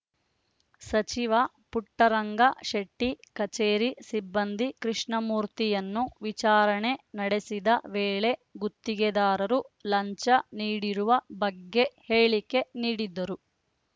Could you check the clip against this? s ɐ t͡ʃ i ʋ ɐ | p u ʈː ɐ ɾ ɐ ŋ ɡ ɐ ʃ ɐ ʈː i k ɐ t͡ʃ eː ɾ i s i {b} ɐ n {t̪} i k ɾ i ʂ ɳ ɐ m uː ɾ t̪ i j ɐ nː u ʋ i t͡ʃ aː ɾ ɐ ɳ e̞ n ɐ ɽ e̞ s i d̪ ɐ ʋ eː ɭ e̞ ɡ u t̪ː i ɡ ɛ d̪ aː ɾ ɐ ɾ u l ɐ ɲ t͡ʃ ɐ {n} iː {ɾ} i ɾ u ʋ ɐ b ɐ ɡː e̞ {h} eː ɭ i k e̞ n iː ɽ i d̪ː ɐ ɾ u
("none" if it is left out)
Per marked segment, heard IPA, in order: bː, d̪, n, ɽ, h

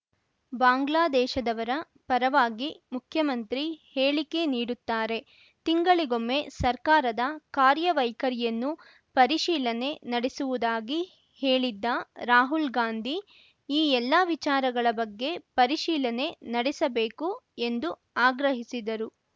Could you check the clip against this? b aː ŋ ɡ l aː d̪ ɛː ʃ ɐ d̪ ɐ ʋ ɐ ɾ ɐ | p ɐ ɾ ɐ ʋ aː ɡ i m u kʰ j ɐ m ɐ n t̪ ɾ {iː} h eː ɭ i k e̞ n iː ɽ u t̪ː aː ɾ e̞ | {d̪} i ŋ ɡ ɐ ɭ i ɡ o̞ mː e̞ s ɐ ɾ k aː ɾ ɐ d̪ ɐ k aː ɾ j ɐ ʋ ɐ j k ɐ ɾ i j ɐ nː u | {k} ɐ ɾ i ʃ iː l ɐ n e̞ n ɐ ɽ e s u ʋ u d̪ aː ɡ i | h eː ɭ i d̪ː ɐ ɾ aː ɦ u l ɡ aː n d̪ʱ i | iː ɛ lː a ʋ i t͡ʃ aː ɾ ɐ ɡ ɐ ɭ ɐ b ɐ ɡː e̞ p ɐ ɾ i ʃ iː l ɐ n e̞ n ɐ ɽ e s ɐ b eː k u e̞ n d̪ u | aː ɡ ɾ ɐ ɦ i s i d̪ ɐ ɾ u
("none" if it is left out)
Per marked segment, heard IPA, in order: i, t̪, p

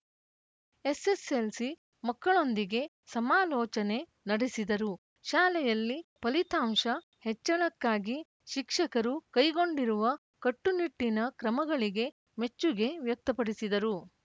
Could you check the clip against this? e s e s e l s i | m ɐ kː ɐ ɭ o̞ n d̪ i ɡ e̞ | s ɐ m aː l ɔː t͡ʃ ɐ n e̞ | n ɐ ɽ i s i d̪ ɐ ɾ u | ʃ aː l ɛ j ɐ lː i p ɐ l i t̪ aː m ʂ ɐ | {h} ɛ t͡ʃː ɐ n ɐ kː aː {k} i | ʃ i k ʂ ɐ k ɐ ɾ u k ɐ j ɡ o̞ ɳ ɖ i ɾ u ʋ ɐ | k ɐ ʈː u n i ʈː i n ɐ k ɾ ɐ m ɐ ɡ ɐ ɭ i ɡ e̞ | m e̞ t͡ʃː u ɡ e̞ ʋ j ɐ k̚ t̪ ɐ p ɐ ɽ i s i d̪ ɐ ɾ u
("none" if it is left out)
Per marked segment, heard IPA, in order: h, ɡ

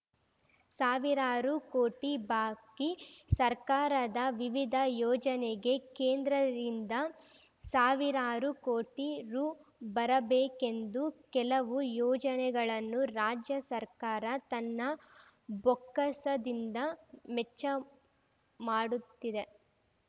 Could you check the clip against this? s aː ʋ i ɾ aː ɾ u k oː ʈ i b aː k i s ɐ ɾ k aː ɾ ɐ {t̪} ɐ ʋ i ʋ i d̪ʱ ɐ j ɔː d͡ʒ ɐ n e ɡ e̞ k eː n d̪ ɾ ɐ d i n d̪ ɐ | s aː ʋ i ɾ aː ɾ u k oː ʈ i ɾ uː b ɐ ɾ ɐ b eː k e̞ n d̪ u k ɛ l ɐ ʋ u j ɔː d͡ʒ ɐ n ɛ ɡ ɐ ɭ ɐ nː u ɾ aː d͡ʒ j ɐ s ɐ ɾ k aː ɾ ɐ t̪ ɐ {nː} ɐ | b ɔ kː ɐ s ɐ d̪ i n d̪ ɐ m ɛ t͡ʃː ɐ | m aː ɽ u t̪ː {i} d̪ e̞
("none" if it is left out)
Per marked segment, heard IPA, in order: d̪, nː, i

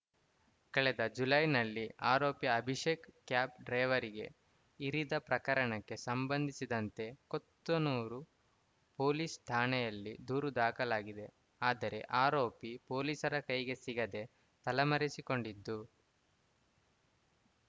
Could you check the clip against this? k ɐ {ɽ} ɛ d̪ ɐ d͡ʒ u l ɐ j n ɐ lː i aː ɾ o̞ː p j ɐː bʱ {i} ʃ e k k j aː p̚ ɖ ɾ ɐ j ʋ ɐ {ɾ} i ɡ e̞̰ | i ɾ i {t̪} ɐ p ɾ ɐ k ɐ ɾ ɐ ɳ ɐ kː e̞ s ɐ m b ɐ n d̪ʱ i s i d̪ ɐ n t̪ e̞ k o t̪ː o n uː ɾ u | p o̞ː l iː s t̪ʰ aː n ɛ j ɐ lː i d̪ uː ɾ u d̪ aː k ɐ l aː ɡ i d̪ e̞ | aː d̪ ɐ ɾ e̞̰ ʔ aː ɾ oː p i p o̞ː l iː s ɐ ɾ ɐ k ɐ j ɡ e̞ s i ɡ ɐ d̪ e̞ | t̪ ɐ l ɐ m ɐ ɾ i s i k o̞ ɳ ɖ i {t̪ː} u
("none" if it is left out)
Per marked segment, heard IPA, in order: ɭ, i, ɾ, d̪, d̪ː

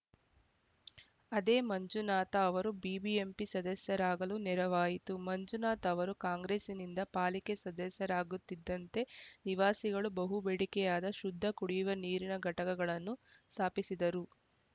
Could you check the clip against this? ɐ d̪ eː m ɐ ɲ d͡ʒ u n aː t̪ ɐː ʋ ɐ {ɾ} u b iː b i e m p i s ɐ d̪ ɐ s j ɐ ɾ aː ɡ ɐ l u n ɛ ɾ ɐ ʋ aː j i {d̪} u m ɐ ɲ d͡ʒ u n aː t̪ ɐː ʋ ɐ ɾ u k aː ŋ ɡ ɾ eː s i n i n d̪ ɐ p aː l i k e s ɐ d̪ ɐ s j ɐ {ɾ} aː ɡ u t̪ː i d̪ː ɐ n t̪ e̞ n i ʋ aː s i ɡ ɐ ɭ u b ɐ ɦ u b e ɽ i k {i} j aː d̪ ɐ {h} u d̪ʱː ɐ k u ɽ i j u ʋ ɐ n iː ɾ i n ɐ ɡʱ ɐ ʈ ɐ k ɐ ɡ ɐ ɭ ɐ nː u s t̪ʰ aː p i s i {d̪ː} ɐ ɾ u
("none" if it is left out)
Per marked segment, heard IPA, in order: ɾ, t̪, ɾ, ɛ, ʃ, d̪

